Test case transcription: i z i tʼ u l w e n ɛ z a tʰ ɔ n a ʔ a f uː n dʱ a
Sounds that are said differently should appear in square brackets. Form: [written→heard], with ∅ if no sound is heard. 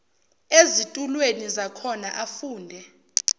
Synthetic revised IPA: [i→e] z i tʼ u l w e n [ɛ→i] z a [tʰ→kʰ] ɔ n a ʔ a f uː n dʱ [a→ɛ]